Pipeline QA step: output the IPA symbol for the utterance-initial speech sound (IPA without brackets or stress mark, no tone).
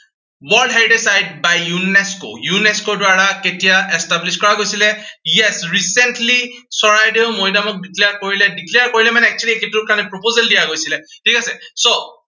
w